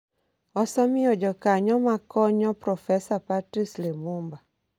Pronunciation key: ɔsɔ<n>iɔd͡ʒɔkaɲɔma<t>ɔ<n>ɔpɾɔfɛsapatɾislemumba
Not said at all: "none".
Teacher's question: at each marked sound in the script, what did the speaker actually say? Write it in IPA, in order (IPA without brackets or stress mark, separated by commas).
m, k, ɲ